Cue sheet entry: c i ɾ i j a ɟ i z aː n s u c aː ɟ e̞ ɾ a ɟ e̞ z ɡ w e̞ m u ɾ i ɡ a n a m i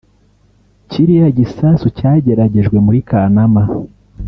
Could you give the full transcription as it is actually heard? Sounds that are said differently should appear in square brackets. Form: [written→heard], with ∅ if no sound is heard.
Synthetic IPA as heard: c i ɾ i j a ɟ i [z→s] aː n s u c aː ɟ e̞ ɾ a ɟ e̞ [z→ʒ] ɡ w e̞ m u ɾ i [ɡ→k] a n a m [i→a]